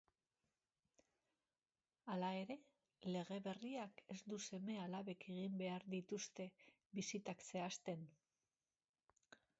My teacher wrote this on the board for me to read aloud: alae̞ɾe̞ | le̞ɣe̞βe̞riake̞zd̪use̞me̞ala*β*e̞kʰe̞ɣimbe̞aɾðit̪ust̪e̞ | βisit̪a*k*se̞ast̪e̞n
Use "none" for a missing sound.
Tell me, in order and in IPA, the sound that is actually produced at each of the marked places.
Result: β, k

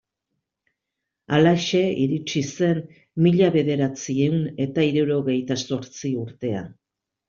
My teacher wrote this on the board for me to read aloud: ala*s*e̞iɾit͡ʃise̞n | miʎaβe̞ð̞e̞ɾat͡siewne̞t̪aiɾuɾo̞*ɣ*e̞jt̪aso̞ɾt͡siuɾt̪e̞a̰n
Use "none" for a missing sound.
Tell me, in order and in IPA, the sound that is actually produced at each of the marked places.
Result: ʃ, ɣ

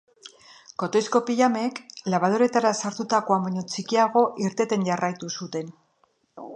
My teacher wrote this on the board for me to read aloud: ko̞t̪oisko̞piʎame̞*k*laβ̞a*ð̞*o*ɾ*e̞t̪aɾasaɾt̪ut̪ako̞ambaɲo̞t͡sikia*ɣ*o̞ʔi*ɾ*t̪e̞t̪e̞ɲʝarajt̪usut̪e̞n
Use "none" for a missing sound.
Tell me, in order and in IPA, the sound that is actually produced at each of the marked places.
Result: k, ð̞, ɾ, ɣ, ɾ

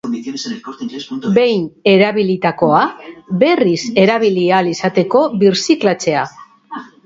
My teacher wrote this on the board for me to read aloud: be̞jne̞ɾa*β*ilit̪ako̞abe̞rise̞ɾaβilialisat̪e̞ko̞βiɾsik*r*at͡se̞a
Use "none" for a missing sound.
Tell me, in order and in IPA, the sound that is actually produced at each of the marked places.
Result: β, l

